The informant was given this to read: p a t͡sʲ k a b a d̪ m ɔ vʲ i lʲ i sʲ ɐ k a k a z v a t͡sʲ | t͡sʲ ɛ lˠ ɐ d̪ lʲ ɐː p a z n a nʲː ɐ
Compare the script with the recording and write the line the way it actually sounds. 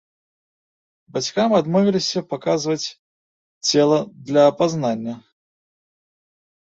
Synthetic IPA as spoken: b a t͡sʲ k a m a d̪ m ɔ vʲ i lʲ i sʲ ɐ p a k a z v ɐ t͡sʲ | t͡sʲ ɛ lˠ ɐ d̪ lʲ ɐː p a z n a nʲː ɐ